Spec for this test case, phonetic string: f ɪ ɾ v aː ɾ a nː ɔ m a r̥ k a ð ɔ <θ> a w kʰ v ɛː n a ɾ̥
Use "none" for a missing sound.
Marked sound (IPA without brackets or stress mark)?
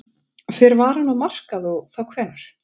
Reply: θ